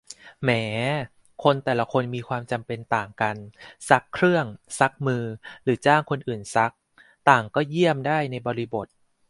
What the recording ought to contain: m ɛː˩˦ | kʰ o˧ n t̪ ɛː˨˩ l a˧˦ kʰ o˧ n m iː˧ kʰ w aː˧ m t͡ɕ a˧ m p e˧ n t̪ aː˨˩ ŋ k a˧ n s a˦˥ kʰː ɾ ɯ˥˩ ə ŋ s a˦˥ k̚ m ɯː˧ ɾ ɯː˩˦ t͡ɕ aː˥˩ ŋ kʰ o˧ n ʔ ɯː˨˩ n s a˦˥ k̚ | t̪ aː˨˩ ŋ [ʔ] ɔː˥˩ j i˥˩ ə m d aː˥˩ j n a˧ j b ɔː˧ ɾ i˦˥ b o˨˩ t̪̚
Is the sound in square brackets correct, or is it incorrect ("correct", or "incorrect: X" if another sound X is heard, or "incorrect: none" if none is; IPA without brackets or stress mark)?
incorrect: k